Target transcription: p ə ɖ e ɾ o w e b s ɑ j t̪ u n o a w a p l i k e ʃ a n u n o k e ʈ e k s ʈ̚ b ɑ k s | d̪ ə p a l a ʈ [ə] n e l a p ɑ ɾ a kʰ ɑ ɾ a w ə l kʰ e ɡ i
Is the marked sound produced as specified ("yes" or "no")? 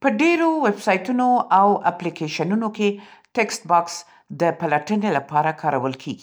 yes